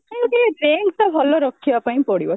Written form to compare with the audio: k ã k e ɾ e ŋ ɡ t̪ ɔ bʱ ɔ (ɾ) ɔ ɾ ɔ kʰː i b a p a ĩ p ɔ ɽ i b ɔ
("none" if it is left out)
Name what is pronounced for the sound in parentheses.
l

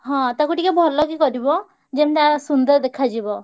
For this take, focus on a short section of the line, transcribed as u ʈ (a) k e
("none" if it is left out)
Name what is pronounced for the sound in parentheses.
i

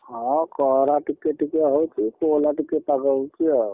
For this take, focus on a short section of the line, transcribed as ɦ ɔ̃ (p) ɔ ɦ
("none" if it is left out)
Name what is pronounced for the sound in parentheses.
k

